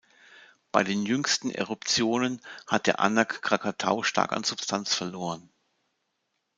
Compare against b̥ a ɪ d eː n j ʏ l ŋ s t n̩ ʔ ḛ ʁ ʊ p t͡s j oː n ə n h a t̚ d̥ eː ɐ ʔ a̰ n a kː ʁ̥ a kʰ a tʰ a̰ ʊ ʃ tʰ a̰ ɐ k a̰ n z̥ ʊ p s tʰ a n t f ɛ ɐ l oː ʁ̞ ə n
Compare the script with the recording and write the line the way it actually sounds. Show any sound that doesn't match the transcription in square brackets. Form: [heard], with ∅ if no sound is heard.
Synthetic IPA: b̥ a ɪ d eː n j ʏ [∅] ŋ s t n̩ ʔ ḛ ʁ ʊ p t͡s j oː n ə n h a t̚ d̥ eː ɐ ʔ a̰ n a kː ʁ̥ a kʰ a tʰ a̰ ʊ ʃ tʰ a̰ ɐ k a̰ n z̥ ʊ p s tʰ a n [t͡s] f ɛ ɐ l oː ʁ̞ ə n